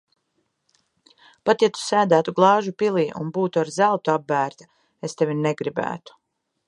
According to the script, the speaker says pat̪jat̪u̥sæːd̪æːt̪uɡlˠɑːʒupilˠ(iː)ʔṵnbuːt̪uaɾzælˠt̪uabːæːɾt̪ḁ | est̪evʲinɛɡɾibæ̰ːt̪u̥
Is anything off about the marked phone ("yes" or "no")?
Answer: no